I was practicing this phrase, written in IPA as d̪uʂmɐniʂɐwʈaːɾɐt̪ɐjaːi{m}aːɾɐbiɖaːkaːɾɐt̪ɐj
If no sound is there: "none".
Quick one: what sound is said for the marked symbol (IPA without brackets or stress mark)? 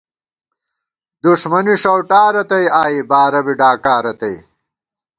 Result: b